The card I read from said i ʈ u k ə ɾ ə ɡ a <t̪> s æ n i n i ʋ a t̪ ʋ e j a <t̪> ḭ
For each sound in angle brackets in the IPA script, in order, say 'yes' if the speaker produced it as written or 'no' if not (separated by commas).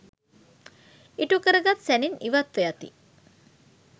yes, yes